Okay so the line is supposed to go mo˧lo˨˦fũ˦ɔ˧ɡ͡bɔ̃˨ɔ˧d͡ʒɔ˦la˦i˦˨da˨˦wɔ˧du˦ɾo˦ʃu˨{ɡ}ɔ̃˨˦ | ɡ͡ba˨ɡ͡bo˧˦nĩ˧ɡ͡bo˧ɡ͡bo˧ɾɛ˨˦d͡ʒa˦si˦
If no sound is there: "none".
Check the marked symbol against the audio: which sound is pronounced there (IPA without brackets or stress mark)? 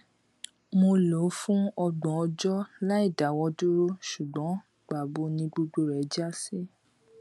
ɡ͡b